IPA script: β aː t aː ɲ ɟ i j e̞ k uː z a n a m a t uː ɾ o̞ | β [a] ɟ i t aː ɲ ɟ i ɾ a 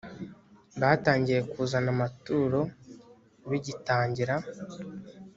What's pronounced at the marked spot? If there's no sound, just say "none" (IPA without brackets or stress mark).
i